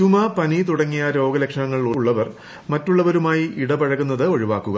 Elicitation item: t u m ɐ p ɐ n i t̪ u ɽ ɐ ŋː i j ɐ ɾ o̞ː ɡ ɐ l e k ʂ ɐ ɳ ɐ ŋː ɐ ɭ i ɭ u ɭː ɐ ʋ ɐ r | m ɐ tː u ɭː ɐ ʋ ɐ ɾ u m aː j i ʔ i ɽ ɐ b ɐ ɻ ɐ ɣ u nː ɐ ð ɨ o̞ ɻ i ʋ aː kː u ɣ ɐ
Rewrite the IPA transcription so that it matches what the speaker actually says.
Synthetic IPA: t u m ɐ p ɐ n i t̪ u ɽ ɐ ŋː i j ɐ ɾ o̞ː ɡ ɐ l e k ʂ ɐ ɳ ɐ ŋː ɐ ɭ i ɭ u ɭː ɐ ʋ ɐ r | m ɐ tː u ɭː ɐ ʋ ɐ ɾ u m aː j i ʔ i ɽ ɐ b ɐ ɻ ɐ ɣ u nː ɐ ð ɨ o̞ ɻ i ʋ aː kː u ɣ ɐ